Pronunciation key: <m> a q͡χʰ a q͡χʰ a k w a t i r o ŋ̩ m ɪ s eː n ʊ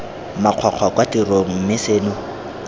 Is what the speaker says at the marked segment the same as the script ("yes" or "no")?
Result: yes